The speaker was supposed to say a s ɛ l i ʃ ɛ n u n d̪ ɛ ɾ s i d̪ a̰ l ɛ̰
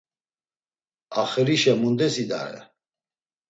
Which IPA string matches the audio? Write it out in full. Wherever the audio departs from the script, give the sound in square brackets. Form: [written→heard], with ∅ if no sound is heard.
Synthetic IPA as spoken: a [s→χ] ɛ [l→ɾ] i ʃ ɛ [n→m] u n d̪ ɛ [ɾ→∅] s i d̪ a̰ [l→ɾ] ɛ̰